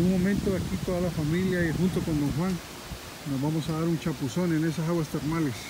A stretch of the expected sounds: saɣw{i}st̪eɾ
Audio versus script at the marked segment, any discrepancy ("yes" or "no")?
yes